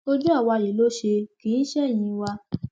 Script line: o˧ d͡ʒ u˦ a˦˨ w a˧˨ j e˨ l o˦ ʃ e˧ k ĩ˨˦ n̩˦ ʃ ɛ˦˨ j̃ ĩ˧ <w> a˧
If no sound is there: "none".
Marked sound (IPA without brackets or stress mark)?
w